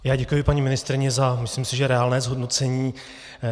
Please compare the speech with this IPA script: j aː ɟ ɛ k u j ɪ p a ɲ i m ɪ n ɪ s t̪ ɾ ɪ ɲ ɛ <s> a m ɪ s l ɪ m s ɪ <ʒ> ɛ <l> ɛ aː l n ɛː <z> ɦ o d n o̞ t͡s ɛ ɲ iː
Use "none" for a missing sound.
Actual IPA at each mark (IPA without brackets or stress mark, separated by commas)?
z, ʒ, ɾ, z